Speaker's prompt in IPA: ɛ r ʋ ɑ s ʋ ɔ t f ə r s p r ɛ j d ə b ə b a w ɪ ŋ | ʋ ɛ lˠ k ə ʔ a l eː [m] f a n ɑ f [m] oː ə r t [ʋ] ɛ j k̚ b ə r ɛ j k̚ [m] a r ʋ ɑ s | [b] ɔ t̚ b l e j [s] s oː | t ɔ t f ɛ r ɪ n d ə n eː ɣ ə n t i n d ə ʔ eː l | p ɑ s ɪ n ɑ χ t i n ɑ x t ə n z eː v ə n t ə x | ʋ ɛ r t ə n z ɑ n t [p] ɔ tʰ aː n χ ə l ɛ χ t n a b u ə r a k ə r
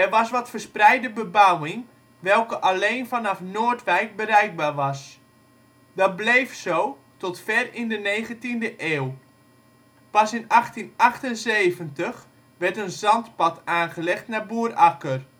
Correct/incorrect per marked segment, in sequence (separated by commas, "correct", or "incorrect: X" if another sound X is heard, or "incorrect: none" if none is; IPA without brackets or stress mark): incorrect: n, incorrect: n, correct, incorrect: b, incorrect: d, incorrect: f, correct